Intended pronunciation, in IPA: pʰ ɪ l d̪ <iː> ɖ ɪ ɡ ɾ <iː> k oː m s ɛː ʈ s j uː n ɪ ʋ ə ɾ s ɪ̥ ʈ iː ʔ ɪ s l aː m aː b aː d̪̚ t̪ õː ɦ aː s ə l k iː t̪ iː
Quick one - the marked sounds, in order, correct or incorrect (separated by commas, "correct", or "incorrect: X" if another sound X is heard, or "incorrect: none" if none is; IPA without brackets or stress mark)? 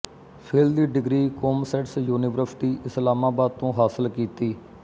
correct, correct